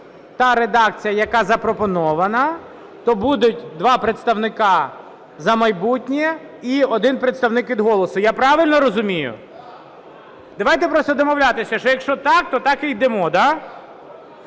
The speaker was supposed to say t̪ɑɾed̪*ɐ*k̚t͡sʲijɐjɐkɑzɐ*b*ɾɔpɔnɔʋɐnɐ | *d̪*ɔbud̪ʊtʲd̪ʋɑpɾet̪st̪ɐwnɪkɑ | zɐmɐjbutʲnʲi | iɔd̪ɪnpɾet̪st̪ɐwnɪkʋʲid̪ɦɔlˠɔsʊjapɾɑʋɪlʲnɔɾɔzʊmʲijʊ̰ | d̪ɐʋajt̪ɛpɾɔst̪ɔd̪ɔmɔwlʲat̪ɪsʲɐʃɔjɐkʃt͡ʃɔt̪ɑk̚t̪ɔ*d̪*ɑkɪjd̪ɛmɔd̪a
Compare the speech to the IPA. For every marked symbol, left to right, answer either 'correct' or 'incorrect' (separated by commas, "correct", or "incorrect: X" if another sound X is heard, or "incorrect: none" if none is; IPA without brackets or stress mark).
incorrect: ɑ, incorrect: p, incorrect: t̪, incorrect: t̪